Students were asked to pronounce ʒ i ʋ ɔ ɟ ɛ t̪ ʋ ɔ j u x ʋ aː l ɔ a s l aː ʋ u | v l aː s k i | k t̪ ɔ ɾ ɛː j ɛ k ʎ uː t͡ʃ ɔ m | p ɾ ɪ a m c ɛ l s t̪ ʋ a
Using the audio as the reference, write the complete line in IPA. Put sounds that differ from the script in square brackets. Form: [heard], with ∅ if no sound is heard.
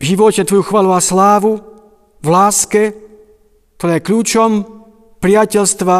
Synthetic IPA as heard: ʒ i ʋ ɔ [c] ɛ t̪ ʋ ɔ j u x ʋ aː l [u] a s l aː ʋ u | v l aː s k [ɛ] | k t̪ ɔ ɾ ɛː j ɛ k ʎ uː t͡ʃ ɔ m | p ɾ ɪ a [∅] c ɛ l s t̪ ʋ a